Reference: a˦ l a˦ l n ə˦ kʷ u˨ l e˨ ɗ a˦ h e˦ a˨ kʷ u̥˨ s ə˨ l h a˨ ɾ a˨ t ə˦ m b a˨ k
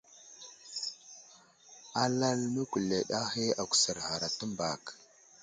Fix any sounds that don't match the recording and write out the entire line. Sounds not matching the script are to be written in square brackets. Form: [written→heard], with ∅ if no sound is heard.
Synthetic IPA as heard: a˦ l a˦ l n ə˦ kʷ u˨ l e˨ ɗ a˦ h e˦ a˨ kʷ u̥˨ s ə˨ [l→ɾ] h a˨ ɾ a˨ t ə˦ m b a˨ k